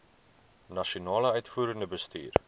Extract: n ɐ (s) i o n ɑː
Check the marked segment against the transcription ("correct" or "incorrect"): incorrect